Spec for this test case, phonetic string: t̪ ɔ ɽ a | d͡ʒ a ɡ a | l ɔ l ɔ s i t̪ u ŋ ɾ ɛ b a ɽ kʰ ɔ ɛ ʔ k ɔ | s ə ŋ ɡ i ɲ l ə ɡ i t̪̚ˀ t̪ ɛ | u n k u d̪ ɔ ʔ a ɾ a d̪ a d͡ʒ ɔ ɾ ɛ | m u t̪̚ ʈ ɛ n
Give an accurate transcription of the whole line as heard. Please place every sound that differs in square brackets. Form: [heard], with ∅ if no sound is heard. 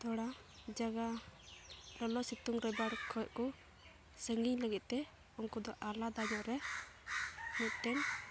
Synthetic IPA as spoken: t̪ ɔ ɽ a | d͡ʒ a ɡ a | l ɔ l ɔ s i t̪ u ŋ ɾ ɛ b a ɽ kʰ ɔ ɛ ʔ k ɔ | s ə ŋ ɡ i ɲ l ə ɡ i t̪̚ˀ t̪ ɛ | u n k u d̪ ɔ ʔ a [l] a d̪ a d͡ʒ ɔ ɾ ɛ | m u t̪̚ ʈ ɛ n